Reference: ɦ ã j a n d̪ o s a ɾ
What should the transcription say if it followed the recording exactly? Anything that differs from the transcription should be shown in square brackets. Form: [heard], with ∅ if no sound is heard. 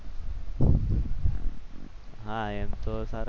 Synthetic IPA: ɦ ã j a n [t̪] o s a ɾ